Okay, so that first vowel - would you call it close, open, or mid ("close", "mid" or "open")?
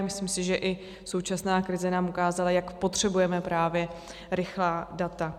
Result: close